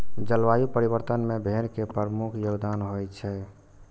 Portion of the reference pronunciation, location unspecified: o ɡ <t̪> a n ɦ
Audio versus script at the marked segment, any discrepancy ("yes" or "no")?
yes